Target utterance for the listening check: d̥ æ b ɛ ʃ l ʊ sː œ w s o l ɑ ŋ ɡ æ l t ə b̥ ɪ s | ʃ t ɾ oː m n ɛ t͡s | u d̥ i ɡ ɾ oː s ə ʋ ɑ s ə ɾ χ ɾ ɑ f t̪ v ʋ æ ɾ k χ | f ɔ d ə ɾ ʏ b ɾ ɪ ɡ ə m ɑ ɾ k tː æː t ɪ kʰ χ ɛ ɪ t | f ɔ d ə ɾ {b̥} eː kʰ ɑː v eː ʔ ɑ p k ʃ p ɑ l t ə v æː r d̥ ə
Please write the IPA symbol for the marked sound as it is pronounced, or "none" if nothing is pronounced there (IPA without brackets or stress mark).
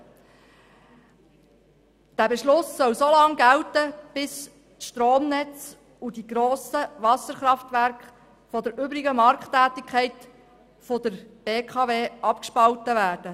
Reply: b̥